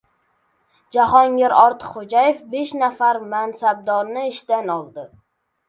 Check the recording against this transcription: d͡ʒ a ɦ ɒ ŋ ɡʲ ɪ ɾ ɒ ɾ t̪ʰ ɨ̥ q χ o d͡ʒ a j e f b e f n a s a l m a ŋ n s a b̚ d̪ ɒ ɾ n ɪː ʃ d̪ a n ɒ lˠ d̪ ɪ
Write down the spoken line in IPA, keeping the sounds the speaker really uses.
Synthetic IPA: d͡ʒ a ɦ ɒ ŋ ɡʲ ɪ ɾ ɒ ɾ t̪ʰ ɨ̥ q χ o d͡ʒ a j e f b e ʃ n a f a ɾ m a n s a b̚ d̪ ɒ ɾ n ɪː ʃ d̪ a n ɒ lˠ d̪ ɪ